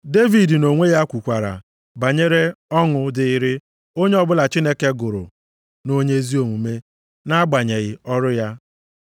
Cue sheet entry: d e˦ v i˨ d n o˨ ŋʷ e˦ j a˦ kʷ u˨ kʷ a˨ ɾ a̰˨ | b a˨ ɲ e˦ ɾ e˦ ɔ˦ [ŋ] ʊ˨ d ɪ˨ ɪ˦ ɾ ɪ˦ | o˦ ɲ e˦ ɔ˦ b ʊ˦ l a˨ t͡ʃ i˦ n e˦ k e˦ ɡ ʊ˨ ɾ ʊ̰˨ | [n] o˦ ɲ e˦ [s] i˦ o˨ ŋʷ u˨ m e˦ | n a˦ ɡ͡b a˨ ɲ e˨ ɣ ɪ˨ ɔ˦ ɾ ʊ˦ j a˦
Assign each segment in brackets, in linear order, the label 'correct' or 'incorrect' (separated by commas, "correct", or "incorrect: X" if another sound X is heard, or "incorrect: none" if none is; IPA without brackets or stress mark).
correct, correct, incorrect: z